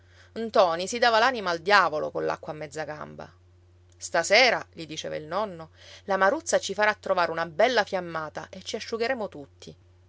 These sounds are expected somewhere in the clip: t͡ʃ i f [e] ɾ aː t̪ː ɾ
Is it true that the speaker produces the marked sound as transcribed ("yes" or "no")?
no